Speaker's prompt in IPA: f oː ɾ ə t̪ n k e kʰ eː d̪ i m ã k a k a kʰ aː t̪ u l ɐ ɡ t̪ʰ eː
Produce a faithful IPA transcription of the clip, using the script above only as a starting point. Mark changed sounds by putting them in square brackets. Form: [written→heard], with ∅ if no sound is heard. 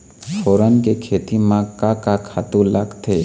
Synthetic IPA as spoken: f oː ɾ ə [t̪→∅] n k e kʰ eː [d̪→t̪] i m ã k a k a kʰ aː t̪ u l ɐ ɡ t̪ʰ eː